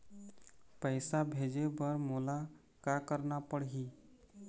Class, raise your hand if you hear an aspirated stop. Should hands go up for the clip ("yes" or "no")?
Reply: no